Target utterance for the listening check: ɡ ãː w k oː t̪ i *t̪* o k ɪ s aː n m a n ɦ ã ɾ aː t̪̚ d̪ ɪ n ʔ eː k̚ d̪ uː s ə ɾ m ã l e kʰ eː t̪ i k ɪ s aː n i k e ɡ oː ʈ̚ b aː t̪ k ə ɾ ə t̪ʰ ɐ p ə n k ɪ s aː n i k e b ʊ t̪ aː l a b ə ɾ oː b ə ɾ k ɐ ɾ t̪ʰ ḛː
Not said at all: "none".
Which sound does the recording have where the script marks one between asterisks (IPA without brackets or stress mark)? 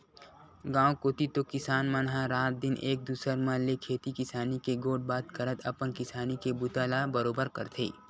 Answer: t̪